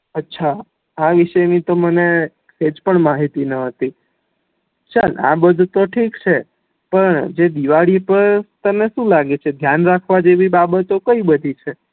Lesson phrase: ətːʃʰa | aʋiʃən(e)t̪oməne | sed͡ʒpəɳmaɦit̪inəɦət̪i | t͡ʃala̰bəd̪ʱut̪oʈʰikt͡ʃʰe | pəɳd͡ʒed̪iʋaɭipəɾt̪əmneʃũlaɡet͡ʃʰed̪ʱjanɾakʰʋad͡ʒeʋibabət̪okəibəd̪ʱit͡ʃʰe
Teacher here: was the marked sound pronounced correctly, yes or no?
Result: no